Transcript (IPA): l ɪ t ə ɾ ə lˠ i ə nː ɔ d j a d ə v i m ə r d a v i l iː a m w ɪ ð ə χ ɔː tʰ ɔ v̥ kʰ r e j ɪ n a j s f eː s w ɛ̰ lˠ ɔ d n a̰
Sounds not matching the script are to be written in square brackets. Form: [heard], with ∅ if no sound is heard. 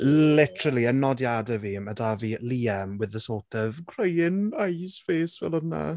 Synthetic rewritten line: l ɪ t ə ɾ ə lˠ i ə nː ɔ d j a d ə v i m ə [∅] d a v i l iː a m w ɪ ð ə [s] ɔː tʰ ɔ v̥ kʰ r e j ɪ n a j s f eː s [v] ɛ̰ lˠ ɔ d n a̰